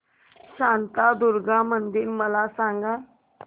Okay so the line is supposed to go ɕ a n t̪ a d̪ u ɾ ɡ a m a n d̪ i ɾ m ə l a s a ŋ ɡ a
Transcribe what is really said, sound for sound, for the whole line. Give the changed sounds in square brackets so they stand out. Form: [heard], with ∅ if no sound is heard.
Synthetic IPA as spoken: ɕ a n t̪ a d̪ u ɾ ɡ a m [ə] n d̪ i ɾ m ə l a s a ŋ ɡ a